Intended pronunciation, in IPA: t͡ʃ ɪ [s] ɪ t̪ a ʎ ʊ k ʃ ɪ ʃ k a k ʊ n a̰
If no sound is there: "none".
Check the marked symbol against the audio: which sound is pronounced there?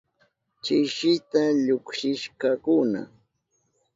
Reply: ʃ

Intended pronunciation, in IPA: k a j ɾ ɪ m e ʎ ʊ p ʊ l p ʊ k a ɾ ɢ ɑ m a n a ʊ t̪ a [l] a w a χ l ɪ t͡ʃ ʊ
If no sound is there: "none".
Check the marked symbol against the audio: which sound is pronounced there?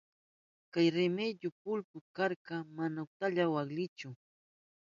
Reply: ʎ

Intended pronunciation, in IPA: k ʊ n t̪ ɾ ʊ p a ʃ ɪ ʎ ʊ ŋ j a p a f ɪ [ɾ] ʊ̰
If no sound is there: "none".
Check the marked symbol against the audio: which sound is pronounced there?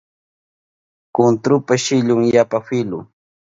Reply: l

